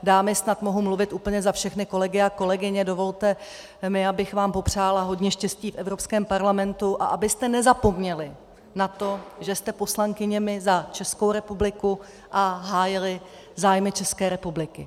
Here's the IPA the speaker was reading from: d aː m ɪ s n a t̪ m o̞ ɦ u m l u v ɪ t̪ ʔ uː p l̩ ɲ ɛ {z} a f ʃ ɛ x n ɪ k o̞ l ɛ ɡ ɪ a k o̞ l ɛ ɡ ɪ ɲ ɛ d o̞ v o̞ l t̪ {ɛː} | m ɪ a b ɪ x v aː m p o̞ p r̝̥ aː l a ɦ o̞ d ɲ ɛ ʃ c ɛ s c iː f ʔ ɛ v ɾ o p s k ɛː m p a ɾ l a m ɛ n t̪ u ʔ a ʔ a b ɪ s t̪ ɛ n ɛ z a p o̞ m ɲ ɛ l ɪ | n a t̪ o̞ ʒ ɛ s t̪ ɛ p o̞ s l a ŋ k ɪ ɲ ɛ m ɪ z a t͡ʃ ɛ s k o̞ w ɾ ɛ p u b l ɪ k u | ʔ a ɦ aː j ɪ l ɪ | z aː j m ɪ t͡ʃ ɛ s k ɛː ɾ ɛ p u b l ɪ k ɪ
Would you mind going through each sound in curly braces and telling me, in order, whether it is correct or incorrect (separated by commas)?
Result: correct, incorrect